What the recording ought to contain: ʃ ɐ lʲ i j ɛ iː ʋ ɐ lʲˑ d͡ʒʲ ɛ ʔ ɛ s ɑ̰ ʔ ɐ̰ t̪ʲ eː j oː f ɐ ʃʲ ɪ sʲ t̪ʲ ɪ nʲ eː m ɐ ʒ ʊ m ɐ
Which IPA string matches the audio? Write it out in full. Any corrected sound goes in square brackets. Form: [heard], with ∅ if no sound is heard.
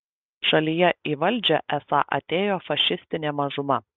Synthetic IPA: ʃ ɐ lʲ i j ɛ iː ʋ ɐ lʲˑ d͡ʒʲ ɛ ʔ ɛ s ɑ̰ ʔ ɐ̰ t̪ʲ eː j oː f ɐ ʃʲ ɪ sʲ t̪ʲ ɪ nʲ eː m ɐ ʒ ʊ m ɐ